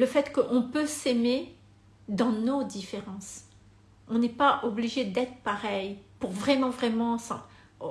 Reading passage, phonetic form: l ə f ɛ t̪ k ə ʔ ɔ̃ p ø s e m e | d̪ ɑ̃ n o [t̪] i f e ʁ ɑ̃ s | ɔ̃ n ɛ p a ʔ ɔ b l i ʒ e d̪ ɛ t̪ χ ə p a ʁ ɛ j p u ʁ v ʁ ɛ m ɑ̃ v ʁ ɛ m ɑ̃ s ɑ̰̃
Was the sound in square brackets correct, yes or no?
no